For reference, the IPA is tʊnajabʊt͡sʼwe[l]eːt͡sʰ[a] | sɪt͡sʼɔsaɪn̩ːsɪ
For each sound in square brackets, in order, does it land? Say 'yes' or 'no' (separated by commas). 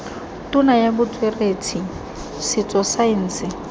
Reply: no, no